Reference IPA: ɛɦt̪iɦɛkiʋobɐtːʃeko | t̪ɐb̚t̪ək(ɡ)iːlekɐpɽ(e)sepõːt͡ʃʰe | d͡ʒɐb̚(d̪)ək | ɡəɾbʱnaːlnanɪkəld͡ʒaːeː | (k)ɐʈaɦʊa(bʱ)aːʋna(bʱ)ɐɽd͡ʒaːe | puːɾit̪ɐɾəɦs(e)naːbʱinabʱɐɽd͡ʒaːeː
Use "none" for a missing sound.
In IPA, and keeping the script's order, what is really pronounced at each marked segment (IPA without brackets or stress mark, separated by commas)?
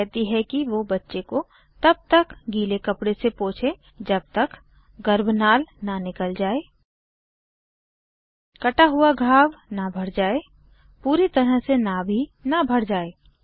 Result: ɡ, e, t̪, k, ɡʱ, bʱ, e